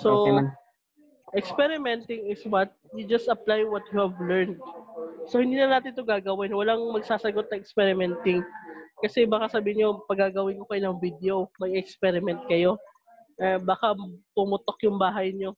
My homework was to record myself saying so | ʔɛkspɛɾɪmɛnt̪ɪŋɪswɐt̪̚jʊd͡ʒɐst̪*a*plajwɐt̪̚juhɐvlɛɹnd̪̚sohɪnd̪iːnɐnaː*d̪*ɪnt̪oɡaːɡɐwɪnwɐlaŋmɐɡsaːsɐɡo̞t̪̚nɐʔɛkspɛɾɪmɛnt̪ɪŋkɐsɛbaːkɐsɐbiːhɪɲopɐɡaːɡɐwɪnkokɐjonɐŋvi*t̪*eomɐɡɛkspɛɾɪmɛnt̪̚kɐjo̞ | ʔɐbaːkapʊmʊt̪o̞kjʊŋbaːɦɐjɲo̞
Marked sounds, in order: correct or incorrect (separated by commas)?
incorrect, incorrect, incorrect